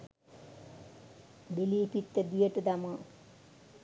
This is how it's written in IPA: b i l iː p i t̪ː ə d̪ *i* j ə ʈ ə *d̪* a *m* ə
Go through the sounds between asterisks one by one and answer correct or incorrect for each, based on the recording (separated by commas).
correct, correct, correct